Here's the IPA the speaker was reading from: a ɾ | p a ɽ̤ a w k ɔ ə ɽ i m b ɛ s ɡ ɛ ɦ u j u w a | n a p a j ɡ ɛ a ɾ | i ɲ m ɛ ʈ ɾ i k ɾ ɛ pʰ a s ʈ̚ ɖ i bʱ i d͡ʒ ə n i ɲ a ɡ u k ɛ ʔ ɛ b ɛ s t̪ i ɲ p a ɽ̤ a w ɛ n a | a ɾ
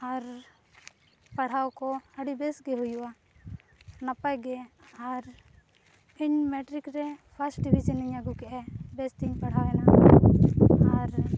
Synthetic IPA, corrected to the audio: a ɾ | p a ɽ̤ a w k ɔ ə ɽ i b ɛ s ɡ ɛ ɦ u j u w a | n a p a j ɡ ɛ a ɾ | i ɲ m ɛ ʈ ɾ i k ɾ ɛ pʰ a s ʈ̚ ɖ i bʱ i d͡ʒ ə n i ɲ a ɡ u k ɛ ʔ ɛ b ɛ s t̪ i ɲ p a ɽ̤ a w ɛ n a | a ɾ

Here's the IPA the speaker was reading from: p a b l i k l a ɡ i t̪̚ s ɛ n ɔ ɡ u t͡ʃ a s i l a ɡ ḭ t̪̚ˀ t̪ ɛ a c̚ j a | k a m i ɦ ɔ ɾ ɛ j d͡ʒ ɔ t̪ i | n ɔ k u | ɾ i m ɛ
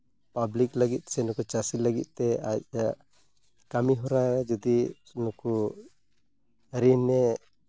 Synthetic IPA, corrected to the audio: p a b l i k l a ɡ i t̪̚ s ɛ n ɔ k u t͡ʃ a s i l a ɡ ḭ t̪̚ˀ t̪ ɛ a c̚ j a | k a m i ɦ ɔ ɾ a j d͡ʒ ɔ d̪ i | n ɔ k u | ɾ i n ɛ

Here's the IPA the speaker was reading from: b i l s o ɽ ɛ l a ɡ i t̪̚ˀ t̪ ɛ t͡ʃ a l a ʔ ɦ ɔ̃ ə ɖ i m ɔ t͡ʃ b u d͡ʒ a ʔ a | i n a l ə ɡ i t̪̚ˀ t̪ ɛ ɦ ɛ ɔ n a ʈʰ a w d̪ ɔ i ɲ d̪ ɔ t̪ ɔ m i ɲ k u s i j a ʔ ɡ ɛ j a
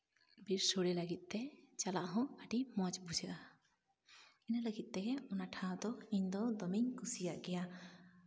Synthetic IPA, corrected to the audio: b i ɾ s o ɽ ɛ l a ɡ i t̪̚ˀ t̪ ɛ t͡ʃ a l a ʔ ɦ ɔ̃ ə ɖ i m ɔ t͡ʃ b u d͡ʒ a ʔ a | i n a l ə ɡ i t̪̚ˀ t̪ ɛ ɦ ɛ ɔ n a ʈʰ a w d̪ ɔ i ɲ d̪ ɔ d̪ ɔ m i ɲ k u s i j a ʔ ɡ ɛ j a

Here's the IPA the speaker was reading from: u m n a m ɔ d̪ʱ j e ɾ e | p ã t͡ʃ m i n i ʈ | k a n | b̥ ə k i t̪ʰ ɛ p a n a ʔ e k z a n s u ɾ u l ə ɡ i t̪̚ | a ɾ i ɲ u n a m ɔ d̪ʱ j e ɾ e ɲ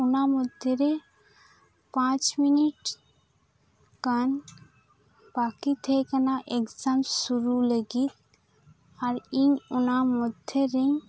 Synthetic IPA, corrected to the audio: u n a m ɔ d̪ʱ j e ɾ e | p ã t͡ʃ m i n i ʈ | k a n | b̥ a k i t̪ʰ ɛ k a n a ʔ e k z a m s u ɾ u l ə ɡ i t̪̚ | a ɾ i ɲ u n a m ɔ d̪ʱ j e ɾ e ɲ

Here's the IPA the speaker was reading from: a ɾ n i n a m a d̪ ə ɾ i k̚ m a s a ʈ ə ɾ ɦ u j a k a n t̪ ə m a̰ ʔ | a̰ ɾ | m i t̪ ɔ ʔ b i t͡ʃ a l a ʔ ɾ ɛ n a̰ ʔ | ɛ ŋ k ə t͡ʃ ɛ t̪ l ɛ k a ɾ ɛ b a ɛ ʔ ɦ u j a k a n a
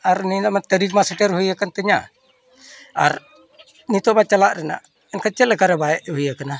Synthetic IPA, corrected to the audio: a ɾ n i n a m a t̪ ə ɾ i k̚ m a s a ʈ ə ɾ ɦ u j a k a n t̪ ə ɲ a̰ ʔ | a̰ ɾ | n i t̪ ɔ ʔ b a t͡ʃ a l a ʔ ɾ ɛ n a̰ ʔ | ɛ n k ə t͡ʃ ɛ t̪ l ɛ k a ɾ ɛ b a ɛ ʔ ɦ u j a k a n a

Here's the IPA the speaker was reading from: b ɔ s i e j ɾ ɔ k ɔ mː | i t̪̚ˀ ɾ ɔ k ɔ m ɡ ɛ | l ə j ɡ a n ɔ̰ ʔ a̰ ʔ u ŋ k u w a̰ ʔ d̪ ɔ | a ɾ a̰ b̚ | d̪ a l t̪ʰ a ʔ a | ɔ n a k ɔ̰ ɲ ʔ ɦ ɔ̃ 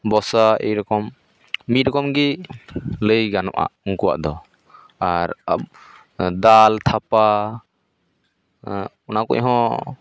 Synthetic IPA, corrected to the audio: b ɔ s a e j ɾ ɔ k ɔ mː | i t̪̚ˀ ɾ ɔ k ɔ m ɡ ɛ | l ə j ɡ a n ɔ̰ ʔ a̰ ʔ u ŋ k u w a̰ ʔ d̪ ɔ | a ɾ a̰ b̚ | d̪ a l t̪ʰ a p a | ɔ n a k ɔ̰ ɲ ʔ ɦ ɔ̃

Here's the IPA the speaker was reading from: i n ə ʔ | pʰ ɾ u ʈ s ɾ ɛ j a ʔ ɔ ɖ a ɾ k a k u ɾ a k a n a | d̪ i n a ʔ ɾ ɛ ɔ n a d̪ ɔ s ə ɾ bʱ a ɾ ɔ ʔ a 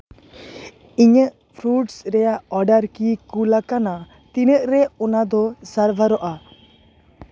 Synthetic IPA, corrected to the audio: i ɲ ə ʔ | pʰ ɾ u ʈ s ɾ ɛ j a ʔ ɔ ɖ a ɾ k i k u l a k a n a | t̪ i n ə ʔ ɾ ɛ ɔ n a d̪ ɔ s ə ɾ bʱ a ɾ ɔ ʔ a

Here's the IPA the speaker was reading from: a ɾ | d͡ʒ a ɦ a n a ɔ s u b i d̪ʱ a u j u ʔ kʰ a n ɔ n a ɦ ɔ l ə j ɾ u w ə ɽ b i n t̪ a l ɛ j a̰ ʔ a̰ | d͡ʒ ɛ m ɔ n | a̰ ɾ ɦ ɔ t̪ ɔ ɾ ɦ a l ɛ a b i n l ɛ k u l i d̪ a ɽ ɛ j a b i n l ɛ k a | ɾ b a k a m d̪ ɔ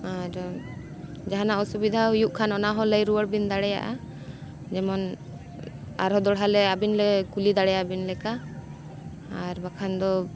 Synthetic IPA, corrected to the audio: a ɾ | d͡ʒ a ɦ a n a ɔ s u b i d̪ʱ a u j u ʔ kʰ a n ɔ n a ɦ ɔ l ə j ɾ u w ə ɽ b i n d̪ a ɽ ɛ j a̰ ʔ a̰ | d͡ʒ ɛ m ɔ n | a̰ ɾ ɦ ɔ d̪ ɔ ɽ ɦ a l ɛ a b i n l ɛ k u l i d̪ a ɽ ɛ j a b i n l ɛ k a | ɾ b a kʰ a n d̪ ɔ

